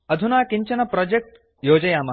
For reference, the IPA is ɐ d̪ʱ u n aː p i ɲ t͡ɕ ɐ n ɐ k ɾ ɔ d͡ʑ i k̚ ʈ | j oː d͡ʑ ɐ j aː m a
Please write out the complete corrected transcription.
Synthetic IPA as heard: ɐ d̪ʱ u n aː k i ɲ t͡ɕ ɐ n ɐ p ɾ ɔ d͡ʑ e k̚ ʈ | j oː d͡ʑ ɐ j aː m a